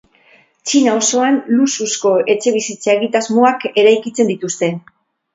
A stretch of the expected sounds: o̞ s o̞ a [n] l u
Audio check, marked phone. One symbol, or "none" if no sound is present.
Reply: n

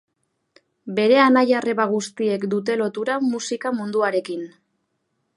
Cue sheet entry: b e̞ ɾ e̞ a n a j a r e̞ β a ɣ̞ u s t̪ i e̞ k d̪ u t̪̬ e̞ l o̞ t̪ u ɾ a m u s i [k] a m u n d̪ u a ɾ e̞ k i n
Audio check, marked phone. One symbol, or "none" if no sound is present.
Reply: k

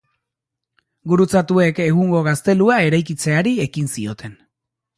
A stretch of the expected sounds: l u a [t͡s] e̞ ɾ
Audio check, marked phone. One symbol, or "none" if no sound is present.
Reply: none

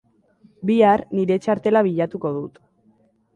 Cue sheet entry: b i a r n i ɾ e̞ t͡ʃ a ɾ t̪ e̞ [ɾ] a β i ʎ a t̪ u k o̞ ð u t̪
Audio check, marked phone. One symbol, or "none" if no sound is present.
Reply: l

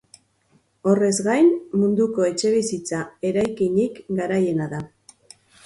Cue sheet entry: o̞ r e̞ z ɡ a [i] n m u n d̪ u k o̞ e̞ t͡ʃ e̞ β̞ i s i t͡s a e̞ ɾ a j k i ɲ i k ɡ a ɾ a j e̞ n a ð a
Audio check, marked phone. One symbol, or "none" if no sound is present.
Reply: j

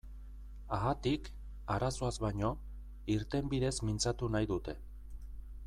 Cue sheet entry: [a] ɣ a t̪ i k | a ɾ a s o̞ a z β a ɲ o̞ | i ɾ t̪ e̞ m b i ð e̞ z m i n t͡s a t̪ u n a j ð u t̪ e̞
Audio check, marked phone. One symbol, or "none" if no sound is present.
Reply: a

